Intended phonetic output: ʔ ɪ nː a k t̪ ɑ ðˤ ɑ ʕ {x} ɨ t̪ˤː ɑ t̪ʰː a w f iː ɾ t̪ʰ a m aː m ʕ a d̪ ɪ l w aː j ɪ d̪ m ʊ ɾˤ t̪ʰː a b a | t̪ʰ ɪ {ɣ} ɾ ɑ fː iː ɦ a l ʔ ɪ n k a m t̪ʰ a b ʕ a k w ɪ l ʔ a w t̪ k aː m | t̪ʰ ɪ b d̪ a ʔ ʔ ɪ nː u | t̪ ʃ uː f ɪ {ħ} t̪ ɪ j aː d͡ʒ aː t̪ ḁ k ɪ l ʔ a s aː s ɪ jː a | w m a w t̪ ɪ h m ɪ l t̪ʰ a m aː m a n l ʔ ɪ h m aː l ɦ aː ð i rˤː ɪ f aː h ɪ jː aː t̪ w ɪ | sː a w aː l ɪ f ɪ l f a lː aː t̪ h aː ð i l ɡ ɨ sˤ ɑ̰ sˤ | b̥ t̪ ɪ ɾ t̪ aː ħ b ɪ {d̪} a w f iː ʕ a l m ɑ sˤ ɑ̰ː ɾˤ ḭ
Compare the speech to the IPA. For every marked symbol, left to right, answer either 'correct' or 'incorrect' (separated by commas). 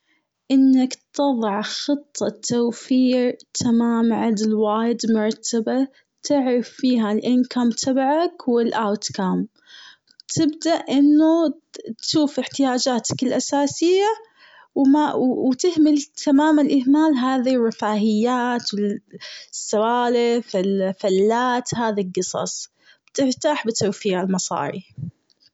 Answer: correct, incorrect, correct, incorrect